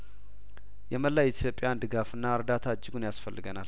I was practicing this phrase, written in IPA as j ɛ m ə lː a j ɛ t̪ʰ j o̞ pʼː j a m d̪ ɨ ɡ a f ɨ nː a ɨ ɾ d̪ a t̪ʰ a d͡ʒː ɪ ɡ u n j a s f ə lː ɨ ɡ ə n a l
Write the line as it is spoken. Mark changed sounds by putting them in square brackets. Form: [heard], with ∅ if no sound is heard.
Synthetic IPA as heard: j ɛ m ə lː a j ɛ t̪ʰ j o̞ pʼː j a [n] d̪ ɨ ɡ a f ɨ nː a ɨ ɾ d̪ a t̪ʰ a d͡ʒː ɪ ɡ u n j a s f ə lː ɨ ɡ ə n a l